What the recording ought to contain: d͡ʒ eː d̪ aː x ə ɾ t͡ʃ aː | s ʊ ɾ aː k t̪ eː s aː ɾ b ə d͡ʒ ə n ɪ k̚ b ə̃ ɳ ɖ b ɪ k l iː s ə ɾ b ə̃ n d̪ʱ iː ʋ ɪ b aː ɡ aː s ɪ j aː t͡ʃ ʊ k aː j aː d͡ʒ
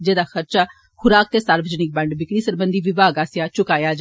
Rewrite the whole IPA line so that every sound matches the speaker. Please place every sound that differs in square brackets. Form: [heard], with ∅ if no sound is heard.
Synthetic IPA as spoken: d͡ʒ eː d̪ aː x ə ɾ t͡ʃ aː | [x] ʊ ɾ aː k t̪ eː s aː ɾ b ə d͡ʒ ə n ɪ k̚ b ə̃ ɳ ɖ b ɪ k [ɽ] iː s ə ɾ b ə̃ n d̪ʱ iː ʋ ɪ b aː ɡ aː s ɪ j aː t͡ʃ ʊ k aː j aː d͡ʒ